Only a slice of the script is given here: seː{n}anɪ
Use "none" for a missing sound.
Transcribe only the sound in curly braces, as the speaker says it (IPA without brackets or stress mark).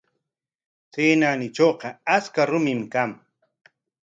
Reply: n